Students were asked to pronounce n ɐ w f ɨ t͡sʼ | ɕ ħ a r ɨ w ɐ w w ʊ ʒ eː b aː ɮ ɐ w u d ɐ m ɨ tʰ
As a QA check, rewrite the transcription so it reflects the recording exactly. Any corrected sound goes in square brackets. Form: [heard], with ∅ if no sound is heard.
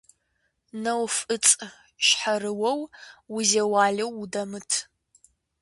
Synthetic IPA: n ɐ w f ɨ t͡sʼ | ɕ ħ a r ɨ w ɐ w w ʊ [z] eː [w] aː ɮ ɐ w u d ɐ m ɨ tʰ